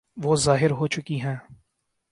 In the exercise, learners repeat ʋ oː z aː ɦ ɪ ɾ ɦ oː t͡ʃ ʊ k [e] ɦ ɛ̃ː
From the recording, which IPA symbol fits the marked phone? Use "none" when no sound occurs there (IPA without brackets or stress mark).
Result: i